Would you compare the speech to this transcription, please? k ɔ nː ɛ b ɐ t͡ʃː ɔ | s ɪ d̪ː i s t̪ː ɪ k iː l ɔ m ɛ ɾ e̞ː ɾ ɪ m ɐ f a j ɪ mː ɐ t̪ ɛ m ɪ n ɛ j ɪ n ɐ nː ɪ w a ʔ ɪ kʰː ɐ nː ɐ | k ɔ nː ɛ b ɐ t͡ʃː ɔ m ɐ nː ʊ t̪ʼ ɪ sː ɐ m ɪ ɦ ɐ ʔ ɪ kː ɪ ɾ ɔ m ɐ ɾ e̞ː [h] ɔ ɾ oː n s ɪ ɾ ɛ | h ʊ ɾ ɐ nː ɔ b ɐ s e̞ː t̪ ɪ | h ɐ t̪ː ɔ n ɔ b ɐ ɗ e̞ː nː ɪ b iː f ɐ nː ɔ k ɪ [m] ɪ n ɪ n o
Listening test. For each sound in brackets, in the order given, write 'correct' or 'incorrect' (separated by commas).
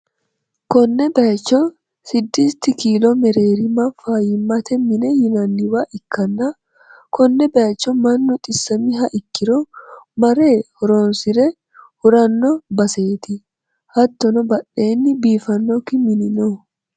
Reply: correct, correct